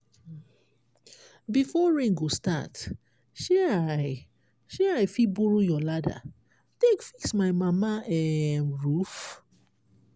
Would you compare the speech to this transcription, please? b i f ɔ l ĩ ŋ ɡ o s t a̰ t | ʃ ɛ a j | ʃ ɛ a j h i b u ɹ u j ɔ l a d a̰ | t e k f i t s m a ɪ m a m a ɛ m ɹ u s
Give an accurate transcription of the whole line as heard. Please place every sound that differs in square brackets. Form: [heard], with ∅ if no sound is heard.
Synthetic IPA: b i f ɔ [ɹ] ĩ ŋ ɡ o s t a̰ t | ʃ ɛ a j | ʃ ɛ a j [f] i b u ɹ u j ɔ l a d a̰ | t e k f i [k] s m a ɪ m a m a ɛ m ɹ u [f]